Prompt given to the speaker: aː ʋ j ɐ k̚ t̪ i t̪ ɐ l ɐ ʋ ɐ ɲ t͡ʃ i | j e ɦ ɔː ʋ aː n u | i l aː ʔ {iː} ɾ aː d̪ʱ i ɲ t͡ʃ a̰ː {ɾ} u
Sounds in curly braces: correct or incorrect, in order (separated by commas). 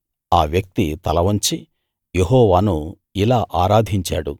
incorrect, incorrect